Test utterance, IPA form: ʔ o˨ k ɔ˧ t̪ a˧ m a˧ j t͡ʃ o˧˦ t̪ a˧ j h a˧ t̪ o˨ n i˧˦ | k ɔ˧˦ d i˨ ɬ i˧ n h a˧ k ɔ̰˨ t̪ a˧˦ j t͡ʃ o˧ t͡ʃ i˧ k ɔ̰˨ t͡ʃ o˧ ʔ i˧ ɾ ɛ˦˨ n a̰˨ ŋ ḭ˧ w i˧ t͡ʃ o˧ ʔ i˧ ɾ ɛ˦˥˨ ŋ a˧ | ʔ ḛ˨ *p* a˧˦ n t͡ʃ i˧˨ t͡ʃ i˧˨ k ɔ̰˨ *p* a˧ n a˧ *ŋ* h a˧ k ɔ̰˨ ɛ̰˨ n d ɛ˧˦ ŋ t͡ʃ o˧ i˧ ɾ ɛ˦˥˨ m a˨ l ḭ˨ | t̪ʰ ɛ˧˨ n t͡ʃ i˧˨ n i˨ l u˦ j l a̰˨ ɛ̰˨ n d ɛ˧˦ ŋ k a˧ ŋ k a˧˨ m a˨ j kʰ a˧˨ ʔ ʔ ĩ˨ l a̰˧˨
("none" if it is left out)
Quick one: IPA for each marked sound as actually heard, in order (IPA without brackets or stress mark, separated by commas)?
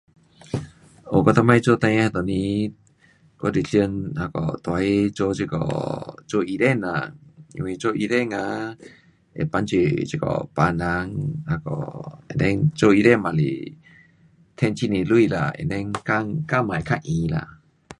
p, p, ŋ